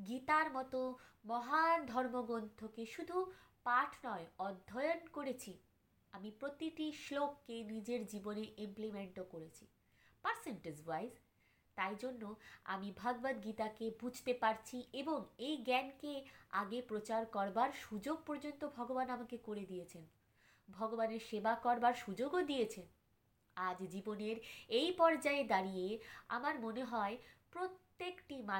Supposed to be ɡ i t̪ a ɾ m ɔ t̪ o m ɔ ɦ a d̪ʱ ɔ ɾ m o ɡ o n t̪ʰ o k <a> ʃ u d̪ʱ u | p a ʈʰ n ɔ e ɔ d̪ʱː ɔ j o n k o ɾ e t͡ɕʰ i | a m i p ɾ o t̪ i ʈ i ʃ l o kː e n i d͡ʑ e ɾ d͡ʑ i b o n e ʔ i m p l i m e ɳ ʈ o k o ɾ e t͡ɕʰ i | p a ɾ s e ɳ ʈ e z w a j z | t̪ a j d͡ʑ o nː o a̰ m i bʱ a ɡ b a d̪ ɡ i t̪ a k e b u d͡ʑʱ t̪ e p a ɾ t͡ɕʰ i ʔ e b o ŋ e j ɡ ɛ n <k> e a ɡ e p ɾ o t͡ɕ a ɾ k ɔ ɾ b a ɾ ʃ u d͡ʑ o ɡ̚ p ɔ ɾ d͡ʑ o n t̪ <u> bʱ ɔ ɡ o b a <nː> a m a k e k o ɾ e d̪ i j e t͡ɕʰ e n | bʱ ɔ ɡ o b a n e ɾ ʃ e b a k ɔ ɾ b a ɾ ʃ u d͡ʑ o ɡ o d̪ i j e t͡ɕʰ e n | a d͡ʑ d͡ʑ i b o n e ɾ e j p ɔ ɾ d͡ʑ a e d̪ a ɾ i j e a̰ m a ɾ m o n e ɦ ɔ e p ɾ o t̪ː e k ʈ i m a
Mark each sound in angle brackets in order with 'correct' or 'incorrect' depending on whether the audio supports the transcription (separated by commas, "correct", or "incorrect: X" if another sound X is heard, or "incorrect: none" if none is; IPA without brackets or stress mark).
incorrect: e, correct, incorrect: o, incorrect: n